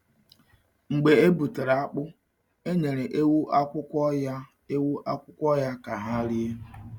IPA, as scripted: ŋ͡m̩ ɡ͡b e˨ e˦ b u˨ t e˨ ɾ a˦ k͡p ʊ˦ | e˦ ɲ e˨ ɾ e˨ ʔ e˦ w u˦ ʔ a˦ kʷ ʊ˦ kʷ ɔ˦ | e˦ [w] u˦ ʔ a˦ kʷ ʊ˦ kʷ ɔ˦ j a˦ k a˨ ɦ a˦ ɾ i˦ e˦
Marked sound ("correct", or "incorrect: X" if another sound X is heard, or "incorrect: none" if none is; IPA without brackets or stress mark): correct